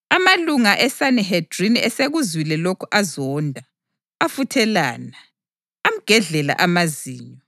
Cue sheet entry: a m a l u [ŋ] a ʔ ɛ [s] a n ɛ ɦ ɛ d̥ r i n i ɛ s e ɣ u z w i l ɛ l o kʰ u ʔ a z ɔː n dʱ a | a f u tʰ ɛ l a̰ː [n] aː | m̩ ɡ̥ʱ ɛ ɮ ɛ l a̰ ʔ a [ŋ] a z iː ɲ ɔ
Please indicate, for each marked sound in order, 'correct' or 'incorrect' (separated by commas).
correct, correct, correct, incorrect